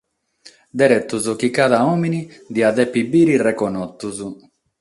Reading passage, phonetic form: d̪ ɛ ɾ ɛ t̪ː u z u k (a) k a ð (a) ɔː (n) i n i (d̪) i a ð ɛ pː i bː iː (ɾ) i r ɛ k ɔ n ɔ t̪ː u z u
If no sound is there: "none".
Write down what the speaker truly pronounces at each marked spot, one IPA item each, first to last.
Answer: i, a, m, d̪, ɾ

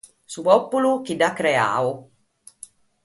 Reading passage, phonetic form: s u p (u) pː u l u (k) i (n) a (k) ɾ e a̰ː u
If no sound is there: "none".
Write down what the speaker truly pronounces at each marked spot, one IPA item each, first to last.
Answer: ɔ, k, d, k

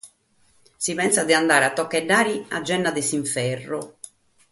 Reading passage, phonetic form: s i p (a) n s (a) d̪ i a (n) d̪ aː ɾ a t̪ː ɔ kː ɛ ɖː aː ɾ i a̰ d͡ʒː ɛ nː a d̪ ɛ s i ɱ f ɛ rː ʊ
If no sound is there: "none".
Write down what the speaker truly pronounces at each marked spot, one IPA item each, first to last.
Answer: ɛ, a, n

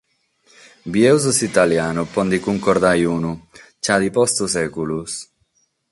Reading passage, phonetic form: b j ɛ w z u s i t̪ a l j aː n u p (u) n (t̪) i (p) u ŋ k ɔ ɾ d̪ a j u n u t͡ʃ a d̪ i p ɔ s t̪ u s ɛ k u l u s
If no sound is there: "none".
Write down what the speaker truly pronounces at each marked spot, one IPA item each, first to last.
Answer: ɔ, d̪, k

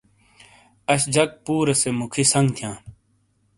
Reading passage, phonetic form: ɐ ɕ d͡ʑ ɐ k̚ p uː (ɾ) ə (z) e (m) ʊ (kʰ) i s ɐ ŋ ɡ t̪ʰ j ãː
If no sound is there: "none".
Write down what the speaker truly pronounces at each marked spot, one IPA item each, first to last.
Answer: ɾ, s, m, kʰ

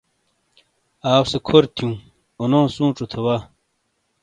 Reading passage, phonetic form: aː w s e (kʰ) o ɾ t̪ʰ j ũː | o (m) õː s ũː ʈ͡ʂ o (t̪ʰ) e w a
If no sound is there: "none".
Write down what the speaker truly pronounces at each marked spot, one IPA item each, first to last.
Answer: kʰ, n, t̪ʰ

